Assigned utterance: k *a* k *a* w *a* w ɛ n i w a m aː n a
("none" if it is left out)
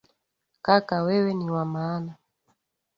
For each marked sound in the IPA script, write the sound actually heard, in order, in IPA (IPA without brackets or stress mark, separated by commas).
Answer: a, a, ɛ